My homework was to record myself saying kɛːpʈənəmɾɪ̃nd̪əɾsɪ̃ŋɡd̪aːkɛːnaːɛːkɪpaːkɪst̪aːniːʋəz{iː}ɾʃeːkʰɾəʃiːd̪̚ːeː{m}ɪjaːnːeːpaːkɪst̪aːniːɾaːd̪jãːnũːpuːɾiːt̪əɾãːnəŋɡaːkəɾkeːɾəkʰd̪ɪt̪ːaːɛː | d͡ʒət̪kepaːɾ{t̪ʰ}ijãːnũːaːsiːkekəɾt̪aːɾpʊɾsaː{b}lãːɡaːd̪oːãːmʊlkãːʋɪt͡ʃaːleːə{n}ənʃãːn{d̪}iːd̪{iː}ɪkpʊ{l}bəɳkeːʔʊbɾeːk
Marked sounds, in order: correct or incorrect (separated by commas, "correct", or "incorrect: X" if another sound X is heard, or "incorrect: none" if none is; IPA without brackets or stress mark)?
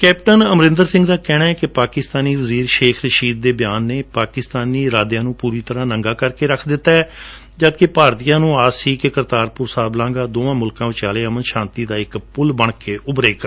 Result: correct, incorrect: b, incorrect: t̪, correct, incorrect: m, incorrect: t̪, incorrect: aː, correct